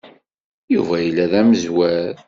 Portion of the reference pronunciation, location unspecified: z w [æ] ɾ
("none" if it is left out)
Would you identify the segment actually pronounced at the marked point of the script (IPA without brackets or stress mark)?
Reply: æ